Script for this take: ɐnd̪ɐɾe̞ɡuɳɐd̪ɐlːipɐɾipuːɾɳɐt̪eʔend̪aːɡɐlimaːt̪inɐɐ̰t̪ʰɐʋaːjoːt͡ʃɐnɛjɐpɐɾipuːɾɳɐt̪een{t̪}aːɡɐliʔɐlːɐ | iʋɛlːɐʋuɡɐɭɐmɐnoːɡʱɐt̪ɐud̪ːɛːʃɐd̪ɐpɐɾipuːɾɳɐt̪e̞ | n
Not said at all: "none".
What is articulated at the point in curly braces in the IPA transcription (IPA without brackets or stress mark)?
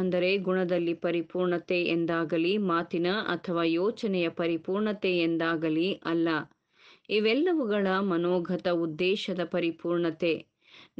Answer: d̪